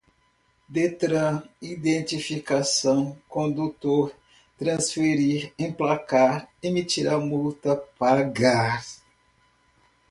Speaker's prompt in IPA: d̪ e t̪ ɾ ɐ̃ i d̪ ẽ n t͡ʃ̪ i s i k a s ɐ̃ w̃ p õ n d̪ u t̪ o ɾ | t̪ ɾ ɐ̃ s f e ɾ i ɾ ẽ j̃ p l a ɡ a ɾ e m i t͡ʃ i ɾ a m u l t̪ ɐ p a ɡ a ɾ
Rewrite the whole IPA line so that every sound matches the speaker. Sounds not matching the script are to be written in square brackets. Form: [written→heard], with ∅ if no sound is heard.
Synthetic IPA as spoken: d̪ e t̪ ɾ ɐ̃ i d̪ ẽ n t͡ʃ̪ i [s→f] i k a s ɐ̃ w̃ [p→k] õ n d̪ u t̪ o ɾ | t̪ ɾ ɐ̃ s f e ɾ i ɾ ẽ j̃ p l a [ɡ→k] a ɾ e m i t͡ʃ i ɾ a m u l t̪ ɐ p a ɡ a ɾ

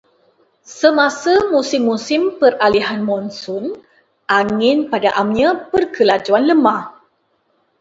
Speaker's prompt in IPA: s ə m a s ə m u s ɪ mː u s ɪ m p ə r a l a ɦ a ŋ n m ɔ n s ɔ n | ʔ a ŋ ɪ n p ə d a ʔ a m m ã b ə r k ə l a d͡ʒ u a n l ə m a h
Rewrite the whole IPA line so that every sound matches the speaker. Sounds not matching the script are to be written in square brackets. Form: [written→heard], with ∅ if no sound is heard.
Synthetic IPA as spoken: s ə m a s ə m u s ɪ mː u s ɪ m p ə r a l [a→i] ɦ a [ŋ→∅] n m ɔ n s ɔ n | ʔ a ŋ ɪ n p [ə→a] d a ʔ a m [m→ɲ] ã [b→p] ə r k ə l a d͡ʒ u a n l ə m a h

